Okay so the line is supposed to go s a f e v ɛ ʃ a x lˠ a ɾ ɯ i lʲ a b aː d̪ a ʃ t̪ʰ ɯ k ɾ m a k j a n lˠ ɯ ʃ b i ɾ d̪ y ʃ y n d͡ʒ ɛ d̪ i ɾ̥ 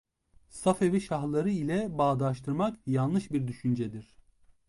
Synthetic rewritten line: s a f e v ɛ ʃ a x lˠ a ɾ ɯ i lʲ ɛ b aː d̪ a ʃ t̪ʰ ɯ ɾ m a k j a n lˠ ɯ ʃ b i ɾ d̪ y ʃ y n d͡ʒ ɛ d̪ i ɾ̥